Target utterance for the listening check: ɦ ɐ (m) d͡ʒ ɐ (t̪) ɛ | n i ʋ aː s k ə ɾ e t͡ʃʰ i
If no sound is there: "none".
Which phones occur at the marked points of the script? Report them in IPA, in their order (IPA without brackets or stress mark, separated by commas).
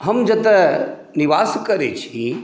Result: m, t̪